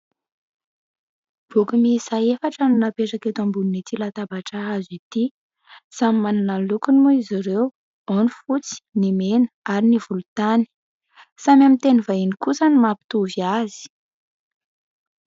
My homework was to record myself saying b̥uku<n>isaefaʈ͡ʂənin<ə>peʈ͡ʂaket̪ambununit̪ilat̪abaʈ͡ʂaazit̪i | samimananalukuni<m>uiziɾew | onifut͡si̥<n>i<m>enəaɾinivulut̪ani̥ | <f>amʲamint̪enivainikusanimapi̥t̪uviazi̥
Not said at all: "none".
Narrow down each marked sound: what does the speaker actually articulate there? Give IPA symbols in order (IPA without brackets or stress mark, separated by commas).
m, a, m, n, m, s